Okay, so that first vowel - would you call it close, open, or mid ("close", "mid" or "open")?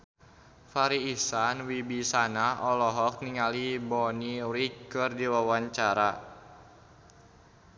open